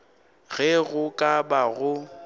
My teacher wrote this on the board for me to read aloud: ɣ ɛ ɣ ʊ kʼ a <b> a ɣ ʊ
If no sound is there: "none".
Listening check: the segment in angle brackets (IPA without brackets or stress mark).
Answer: b